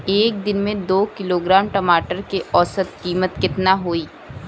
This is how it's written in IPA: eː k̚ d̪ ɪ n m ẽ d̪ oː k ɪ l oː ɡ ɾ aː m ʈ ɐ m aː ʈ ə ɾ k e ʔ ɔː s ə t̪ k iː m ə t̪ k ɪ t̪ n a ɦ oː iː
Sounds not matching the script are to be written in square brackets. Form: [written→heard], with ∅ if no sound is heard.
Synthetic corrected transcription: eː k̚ d̪ ɪ n m ẽ d̪ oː k ɪ l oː ɡ ɾ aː m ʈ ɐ m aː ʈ ə ɾ k e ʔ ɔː s ə t̪ k iː m ə t̪ k ɪ t̪ n a ɦ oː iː